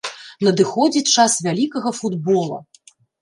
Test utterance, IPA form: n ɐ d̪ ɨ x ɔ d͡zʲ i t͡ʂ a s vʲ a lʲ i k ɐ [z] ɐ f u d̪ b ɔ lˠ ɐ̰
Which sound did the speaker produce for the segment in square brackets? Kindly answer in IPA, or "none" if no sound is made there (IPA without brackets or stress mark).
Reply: ɣ